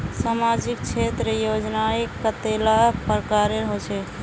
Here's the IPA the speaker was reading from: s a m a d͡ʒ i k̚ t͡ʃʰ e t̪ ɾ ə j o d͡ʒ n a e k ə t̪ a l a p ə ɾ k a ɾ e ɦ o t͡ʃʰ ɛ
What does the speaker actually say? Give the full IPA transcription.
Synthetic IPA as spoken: s a m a d͡ʒ i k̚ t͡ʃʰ e t̪ ɾ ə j o d͡ʒ n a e k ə t̪ e l a p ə ɾ k a ɾ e ɦ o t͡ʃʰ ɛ